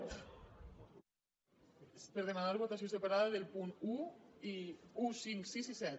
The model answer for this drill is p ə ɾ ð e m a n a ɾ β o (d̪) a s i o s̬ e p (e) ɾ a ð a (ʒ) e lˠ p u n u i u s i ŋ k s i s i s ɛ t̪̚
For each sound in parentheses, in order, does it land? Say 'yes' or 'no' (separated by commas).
no, no, no